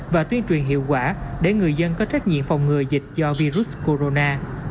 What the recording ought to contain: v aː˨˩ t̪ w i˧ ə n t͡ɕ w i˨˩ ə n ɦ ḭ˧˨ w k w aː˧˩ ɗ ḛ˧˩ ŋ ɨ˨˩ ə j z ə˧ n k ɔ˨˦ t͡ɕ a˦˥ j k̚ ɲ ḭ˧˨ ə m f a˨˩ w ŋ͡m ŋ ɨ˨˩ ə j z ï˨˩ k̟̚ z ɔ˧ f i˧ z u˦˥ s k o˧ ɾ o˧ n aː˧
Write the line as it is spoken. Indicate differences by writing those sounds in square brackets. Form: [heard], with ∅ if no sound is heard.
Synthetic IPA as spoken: v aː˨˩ t̪ w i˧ ə n t͡ɕ w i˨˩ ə n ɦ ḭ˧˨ w k w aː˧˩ ɗ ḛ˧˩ ŋ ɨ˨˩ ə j z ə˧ n k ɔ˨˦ t͡ɕ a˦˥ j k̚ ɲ ḭ˧˨ ə m f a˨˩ w ŋ͡m ŋ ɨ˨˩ ə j z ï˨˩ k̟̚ z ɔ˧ [v] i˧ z u˦˥ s k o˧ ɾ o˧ n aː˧